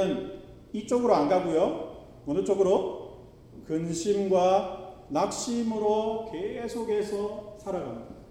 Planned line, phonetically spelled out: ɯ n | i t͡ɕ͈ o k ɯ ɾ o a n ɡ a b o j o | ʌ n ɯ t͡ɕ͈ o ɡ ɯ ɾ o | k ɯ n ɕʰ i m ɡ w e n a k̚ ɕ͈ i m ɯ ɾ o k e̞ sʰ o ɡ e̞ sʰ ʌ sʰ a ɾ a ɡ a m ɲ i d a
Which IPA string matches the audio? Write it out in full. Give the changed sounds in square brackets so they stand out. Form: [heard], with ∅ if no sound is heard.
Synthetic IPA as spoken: ɯ n | i t͡ɕ͈ o [ɡ] ɯ ɾ o a n ɡ a [ɡ] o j o | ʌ n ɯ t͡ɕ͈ o ɡ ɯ ɾ o | k ɯ n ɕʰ i m ɡ w [a] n a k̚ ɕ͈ i m ɯ ɾ o k e̞ sʰ o ɡ e̞ sʰ ʌ sʰ a ɾ a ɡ a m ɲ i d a